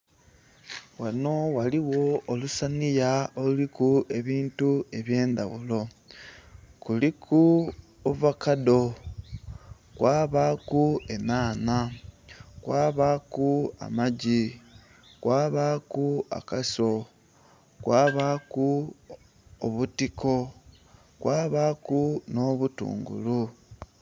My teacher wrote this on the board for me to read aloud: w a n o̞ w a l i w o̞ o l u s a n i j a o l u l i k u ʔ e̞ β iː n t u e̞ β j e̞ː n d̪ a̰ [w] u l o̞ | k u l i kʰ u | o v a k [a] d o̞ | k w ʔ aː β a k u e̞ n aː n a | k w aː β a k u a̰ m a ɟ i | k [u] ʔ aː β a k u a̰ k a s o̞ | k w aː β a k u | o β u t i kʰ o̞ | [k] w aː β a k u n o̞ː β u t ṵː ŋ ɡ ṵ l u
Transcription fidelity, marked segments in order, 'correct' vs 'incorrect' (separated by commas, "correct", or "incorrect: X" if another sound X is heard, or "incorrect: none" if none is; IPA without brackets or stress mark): incorrect: β, correct, incorrect: w, correct